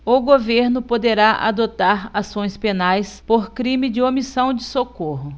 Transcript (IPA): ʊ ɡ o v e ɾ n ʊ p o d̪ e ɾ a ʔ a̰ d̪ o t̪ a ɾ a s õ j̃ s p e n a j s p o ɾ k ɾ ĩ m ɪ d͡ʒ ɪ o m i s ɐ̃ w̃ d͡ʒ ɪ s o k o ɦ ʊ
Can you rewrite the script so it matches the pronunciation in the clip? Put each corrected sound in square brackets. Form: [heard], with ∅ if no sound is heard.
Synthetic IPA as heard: ʊ ɡ o v e ɾ n ʊ p o d̪ e ɾ a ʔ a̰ d̪ o t̪ a ɾ a s õ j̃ s p e n a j s p o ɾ k ɾ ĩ m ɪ d͡ʒ ɪ o m i s ɐ̃ w̃ d͡ʒ ɪ s o k o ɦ ʊ